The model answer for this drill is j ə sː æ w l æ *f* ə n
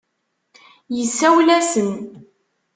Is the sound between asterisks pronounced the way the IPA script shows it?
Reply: no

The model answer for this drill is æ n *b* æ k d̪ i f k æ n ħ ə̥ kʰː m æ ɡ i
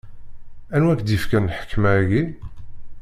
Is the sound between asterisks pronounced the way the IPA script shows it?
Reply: no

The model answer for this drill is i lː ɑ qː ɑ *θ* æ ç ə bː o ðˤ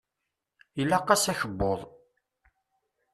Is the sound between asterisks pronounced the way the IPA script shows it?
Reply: no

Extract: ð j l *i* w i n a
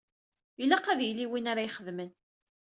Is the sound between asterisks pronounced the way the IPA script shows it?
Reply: yes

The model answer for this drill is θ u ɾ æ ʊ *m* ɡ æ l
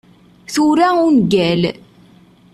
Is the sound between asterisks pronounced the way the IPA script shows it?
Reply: no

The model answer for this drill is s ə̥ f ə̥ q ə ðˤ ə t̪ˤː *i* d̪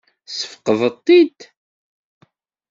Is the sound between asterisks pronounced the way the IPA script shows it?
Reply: yes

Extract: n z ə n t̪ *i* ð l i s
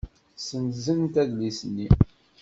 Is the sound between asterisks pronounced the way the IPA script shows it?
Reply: no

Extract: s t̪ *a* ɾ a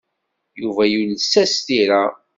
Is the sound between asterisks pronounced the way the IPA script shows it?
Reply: no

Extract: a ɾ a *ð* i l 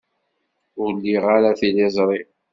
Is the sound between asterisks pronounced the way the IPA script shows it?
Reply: no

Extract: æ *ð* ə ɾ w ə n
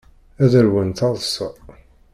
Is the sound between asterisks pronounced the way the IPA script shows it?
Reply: yes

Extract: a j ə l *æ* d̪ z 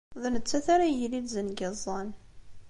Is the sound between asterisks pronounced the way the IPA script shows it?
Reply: no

